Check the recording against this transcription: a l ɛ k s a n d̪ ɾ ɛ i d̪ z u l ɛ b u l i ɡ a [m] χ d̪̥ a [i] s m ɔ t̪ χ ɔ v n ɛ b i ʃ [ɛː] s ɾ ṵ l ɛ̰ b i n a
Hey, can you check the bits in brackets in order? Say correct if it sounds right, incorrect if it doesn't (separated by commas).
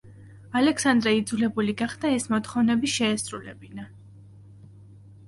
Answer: incorrect, incorrect, correct